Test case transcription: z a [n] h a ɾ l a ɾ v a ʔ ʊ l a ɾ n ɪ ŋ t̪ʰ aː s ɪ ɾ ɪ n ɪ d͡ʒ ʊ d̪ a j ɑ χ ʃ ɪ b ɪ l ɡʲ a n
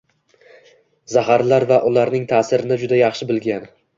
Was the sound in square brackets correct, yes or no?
no